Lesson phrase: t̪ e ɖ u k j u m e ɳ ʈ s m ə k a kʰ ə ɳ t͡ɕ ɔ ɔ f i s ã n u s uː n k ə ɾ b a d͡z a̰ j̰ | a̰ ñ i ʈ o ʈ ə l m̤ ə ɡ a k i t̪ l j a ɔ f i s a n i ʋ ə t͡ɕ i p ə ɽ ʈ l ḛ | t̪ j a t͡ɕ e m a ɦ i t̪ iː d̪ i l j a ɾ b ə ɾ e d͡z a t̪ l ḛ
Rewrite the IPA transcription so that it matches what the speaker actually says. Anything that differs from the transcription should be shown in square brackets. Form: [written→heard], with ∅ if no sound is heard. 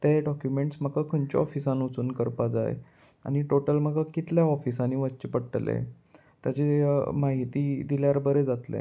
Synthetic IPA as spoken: t̪ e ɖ [u→ɔ] k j u m e ɳ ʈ s m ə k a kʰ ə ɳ t͡ɕ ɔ ɔ f i s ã n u [s→t͡s] uː n k ə ɾ [b→p] a d͡z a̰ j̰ | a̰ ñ i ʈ o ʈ ə l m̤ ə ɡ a k i t̪ l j a ɔ f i s a n i ʋ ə t͡ɕ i p ə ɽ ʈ l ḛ | t̪ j a t͡ɕ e m a ɦ i t̪ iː d̪ i l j a ɾ b ə ɾ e d͡z a t̪ l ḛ